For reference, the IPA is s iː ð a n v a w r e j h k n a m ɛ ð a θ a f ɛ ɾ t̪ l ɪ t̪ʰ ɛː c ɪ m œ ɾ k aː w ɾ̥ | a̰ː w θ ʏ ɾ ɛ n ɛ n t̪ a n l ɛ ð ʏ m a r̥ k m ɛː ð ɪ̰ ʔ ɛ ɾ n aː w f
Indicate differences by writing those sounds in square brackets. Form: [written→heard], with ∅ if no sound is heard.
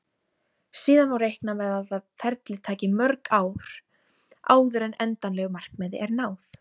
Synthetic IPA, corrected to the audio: s iː ð a n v a w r e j h k n a m ɛ ð a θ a f ɛ ɾ t̪ l ɪ t̪ʰ [ɛː→aː] c ɪ m œ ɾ k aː w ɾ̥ | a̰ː w [θ→ð] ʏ ɾ ɛ n ɛ n t̪ a n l ɛ [ð→ɣ] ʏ m a r̥ k m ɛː ð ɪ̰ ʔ ɛ ɾ n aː w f